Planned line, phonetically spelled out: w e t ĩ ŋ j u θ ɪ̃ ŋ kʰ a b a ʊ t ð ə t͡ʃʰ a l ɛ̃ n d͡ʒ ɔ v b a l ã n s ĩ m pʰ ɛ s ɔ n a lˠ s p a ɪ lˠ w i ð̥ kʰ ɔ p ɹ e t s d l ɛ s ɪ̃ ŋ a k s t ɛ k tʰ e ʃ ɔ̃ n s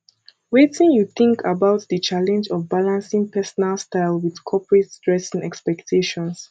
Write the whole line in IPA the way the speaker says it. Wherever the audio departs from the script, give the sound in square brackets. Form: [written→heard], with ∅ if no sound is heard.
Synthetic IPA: w e t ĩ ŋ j u θ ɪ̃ ŋ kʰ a b a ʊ t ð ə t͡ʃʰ a l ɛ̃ n d͡ʒ ɔ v b a l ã n s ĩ [m→ŋ] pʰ ɛ s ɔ n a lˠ s [p→t] a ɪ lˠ w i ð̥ kʰ ɔ p ɹ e t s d [l→ɹ] ɛ s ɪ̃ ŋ [a→ɛ] k s [t→p] ɛ k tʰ e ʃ ɔ̃ n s